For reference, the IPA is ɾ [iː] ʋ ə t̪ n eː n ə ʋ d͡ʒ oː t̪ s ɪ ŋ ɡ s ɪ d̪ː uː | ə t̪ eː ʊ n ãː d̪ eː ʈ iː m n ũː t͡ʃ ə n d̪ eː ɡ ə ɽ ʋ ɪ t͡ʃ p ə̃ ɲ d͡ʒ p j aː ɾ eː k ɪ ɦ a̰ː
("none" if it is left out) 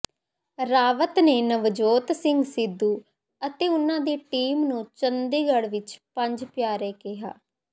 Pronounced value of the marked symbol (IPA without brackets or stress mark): aː